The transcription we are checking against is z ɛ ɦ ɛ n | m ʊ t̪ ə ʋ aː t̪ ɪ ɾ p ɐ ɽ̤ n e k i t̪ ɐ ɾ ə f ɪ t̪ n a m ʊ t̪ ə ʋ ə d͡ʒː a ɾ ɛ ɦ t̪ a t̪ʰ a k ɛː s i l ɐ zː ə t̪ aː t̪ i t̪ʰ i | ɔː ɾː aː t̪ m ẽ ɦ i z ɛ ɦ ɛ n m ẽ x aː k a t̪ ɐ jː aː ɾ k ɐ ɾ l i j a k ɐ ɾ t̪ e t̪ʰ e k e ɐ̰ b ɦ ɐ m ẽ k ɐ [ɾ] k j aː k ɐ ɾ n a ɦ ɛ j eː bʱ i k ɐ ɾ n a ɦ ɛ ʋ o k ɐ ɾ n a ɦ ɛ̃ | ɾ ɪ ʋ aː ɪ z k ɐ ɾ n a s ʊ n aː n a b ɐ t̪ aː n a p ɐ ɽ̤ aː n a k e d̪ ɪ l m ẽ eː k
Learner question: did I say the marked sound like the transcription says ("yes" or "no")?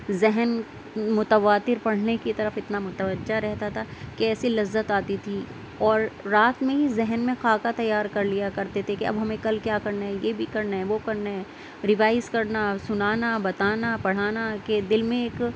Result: no